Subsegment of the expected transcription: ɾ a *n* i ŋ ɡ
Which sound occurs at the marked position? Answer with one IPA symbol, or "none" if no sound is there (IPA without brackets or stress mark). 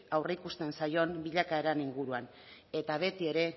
n